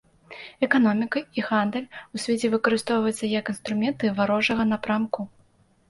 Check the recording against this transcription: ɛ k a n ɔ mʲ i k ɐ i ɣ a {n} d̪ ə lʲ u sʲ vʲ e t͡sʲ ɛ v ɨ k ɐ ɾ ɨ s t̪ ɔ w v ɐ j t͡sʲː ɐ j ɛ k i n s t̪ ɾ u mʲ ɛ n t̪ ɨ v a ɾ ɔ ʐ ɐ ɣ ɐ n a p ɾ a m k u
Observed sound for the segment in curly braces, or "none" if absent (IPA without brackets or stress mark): n